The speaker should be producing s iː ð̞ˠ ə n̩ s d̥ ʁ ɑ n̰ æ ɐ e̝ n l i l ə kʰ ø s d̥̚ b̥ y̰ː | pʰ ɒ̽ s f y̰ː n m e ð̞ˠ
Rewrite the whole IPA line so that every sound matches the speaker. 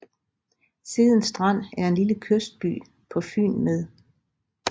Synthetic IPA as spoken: s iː ð̞ˠ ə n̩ s d̥ ʁ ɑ n̰ æ ɐ e̝ n l i l ə kʰ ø s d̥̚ b̥ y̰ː | pʰ ɒ̽ f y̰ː n m e ð̞ˠ